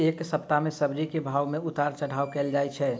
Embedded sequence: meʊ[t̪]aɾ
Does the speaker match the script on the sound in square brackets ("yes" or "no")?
yes